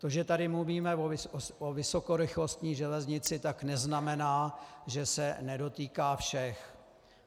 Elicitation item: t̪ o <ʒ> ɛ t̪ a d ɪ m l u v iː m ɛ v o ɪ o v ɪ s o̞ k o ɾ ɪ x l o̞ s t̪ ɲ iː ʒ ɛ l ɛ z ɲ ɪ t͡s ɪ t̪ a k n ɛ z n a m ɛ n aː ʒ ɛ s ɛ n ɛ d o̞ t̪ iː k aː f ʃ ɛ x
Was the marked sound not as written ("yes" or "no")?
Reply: no